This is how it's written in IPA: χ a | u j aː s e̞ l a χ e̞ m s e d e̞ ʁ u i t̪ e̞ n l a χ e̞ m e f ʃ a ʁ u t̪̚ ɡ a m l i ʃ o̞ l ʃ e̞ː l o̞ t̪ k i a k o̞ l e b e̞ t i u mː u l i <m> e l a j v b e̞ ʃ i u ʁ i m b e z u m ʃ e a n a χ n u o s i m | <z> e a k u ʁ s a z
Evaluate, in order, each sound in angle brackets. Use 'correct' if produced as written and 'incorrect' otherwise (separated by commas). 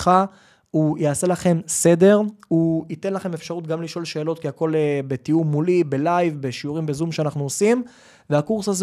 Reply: incorrect, incorrect